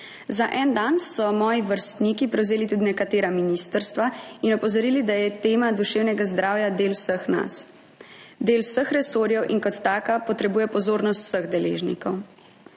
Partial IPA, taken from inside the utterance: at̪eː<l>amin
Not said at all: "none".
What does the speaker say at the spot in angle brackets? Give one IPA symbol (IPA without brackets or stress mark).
ɾ